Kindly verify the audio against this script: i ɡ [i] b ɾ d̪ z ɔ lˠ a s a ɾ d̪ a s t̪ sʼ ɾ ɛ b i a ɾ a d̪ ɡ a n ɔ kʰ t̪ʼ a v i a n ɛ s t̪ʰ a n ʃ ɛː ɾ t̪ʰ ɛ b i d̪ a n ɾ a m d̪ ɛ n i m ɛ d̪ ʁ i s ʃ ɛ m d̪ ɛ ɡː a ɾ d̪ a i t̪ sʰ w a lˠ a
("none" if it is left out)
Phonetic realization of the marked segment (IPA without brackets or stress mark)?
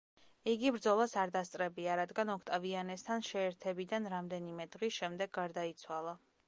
i